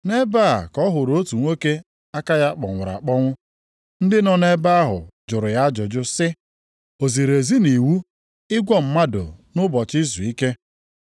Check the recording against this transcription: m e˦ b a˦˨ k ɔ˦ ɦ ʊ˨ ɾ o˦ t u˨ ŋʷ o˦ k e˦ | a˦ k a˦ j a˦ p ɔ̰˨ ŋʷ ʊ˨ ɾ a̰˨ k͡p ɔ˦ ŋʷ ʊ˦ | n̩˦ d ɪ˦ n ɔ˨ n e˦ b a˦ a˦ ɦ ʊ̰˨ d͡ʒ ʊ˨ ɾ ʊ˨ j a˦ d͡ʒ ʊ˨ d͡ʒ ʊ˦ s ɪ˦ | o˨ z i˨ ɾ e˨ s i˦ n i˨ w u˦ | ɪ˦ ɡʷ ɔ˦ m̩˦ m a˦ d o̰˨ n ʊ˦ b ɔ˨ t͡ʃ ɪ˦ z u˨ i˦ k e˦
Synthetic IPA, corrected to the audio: n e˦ b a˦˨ k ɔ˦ ɦ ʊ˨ ɾ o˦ t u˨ ŋʷ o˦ k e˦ | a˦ k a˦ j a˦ k͡p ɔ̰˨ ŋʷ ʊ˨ ɾ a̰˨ k͡p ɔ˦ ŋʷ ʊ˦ | n̩˦ d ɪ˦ n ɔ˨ n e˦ b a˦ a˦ ɦ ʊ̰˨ d͡ʒ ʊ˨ ɾ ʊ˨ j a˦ d͡ʒ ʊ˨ d͡ʒ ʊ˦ s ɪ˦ | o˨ z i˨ ɾ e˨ z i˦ n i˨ w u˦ | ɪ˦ ɡʷ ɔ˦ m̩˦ m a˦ d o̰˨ n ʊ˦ b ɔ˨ t͡ʃ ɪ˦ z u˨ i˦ k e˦